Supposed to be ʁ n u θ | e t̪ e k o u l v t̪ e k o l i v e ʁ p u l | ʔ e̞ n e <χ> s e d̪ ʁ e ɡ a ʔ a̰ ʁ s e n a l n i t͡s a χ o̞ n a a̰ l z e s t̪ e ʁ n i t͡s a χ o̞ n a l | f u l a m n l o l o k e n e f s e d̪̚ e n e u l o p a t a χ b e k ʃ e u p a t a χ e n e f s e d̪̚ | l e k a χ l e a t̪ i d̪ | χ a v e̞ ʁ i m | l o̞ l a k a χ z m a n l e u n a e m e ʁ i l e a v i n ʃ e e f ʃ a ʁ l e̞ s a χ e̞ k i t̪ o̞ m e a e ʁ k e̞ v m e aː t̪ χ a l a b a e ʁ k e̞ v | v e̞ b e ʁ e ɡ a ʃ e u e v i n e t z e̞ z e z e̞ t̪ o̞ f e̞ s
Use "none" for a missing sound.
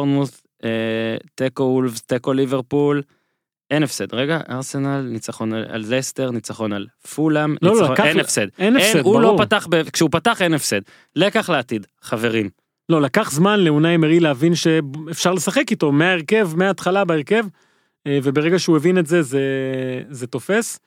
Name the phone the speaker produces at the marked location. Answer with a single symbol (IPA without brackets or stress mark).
f